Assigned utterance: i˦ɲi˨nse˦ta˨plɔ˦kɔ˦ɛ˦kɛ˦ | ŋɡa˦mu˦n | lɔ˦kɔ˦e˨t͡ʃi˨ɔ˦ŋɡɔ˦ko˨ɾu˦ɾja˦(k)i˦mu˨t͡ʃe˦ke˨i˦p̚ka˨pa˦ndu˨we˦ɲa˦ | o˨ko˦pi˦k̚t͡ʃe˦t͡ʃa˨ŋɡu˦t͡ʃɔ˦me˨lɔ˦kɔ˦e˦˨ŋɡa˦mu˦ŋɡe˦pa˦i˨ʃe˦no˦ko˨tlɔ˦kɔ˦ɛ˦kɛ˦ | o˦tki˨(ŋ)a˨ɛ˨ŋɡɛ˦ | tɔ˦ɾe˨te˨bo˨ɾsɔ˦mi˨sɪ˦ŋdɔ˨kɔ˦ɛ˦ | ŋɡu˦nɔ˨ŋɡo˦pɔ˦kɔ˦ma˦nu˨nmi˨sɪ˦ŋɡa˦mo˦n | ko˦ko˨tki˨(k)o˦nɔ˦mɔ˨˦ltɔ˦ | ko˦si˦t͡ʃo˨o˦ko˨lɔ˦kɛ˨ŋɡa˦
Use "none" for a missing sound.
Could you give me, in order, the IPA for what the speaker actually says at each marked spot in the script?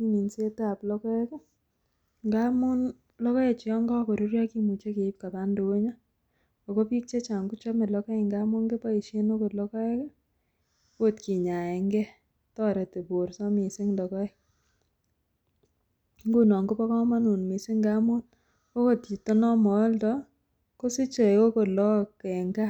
k, ɲ, t

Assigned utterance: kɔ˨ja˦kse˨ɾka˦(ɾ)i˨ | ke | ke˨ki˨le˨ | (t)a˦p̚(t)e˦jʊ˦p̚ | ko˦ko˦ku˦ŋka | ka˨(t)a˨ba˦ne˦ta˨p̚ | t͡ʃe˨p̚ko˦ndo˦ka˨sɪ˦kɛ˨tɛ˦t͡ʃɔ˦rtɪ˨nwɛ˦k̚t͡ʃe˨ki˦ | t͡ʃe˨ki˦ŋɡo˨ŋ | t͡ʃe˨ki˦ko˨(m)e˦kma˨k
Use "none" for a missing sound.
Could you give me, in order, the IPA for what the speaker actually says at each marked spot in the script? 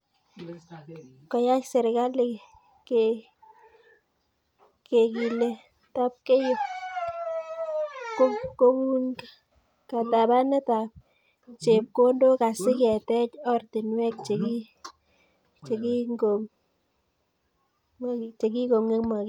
l, t, k, t, ŋ

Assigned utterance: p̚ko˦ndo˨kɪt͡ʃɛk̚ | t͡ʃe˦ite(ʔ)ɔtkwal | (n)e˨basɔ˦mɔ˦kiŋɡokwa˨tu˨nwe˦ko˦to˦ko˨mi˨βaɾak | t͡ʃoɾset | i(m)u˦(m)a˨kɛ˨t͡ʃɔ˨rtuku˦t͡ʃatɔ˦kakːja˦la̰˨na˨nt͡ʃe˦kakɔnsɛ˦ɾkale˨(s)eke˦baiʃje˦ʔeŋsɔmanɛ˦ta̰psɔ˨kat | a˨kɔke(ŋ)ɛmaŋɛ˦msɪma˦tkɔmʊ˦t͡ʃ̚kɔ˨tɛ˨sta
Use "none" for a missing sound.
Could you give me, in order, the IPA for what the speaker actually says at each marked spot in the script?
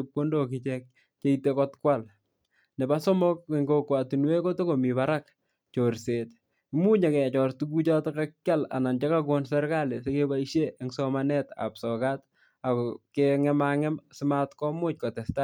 k, n, m, ɲ, s, ŋ

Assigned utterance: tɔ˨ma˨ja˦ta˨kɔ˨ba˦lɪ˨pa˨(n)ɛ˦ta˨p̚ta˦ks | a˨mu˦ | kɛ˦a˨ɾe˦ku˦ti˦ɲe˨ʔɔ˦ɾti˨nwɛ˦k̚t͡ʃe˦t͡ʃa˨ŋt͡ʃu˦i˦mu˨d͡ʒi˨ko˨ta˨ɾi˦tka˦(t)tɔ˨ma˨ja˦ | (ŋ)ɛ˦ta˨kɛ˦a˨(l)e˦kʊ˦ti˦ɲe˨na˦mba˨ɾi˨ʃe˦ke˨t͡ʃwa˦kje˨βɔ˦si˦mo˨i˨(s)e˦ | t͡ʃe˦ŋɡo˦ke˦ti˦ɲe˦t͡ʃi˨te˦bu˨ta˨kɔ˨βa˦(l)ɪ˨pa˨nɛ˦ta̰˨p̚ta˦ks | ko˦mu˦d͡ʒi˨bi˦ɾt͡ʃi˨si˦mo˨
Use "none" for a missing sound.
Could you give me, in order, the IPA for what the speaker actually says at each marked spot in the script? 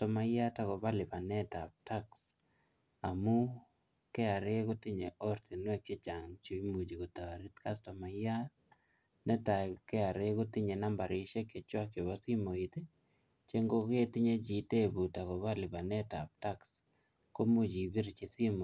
n, s, n, ɾ, t, l

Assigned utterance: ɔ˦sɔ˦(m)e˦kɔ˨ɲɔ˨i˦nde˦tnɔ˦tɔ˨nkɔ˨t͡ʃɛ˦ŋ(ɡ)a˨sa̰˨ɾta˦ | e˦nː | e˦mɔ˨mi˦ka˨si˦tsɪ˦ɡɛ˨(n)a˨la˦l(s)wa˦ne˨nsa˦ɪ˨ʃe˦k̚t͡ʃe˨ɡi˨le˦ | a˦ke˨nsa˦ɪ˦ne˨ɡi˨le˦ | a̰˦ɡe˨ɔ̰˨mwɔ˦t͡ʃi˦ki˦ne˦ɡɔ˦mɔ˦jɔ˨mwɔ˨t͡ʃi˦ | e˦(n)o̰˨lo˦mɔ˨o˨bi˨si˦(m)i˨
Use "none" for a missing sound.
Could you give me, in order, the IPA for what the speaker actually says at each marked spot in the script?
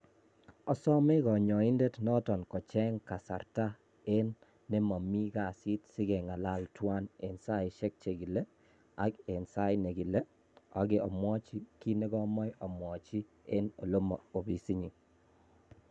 m, k, ŋ, t, n, ɲ

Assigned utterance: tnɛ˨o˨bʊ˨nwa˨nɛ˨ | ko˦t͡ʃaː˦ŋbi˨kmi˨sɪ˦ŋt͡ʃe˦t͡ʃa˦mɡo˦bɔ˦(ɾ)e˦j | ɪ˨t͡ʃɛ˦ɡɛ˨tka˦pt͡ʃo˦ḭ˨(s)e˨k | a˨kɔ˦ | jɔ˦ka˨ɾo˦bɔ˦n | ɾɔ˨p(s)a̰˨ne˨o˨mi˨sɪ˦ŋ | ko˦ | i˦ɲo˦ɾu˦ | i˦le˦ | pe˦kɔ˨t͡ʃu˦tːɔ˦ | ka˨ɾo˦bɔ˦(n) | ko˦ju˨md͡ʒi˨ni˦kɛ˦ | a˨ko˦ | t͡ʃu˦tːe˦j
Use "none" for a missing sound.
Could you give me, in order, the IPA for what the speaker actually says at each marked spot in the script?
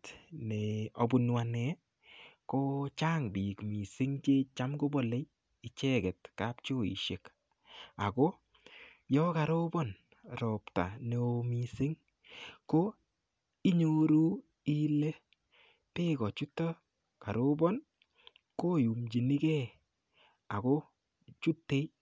l, ʃ, t, n

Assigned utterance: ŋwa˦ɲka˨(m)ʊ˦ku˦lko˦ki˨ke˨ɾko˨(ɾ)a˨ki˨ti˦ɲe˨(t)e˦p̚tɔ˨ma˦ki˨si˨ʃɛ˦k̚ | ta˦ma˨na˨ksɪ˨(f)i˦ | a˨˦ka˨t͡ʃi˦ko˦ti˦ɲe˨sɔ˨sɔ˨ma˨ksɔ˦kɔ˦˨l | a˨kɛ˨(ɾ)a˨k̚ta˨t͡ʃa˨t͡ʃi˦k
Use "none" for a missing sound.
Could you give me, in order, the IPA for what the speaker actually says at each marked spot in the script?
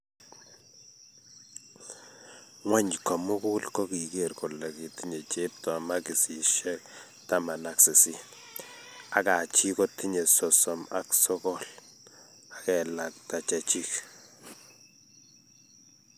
m, l, t͡ʃ, s, l

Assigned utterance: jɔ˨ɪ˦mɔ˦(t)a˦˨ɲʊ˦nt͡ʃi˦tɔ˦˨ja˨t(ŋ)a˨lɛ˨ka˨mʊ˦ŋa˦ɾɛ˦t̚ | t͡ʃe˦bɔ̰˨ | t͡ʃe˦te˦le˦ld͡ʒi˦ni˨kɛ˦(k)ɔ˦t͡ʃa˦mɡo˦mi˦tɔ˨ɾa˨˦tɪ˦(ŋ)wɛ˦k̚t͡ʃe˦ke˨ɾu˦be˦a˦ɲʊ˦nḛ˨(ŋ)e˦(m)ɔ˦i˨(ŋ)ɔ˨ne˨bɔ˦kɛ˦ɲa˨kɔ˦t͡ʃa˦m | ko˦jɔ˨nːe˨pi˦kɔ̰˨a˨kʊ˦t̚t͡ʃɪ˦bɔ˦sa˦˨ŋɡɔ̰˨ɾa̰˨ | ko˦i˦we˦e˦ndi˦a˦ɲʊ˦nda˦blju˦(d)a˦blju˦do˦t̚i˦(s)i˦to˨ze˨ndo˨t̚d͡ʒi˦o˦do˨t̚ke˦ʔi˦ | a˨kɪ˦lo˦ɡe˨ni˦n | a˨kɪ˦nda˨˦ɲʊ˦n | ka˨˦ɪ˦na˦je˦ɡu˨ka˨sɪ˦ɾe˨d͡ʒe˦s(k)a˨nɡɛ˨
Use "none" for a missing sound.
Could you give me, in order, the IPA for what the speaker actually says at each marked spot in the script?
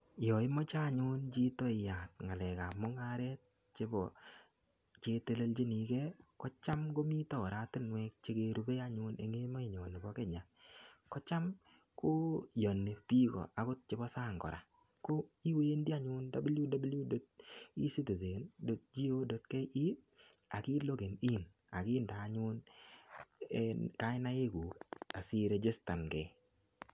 t͡ʃ, ŋ, k, n, ŋ, m, ɲ, d, s, t

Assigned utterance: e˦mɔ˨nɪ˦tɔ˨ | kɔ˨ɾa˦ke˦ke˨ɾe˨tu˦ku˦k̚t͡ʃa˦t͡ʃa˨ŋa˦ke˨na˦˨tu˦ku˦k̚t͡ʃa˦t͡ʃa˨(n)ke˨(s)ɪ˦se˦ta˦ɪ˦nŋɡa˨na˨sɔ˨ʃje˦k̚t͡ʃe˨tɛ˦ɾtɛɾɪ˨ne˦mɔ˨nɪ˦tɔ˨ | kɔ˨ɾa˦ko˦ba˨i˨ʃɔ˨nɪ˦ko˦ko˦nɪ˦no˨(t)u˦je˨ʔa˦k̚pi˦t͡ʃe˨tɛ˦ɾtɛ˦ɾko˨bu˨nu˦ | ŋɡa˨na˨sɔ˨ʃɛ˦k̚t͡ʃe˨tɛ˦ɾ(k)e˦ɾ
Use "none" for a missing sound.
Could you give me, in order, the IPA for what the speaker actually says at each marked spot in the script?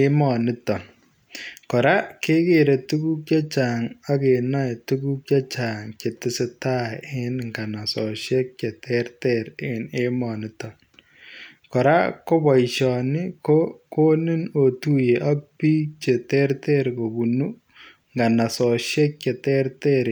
ŋ, t, t, t

